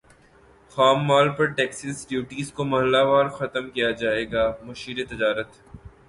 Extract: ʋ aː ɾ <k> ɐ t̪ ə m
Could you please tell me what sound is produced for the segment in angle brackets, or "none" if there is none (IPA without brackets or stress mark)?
x